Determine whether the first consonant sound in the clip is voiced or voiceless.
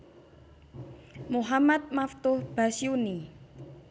voiced